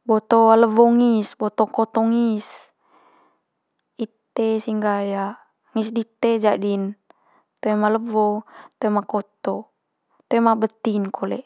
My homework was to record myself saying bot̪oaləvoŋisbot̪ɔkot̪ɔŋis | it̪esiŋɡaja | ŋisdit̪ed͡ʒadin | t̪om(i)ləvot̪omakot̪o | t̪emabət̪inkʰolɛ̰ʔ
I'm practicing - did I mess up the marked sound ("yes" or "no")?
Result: yes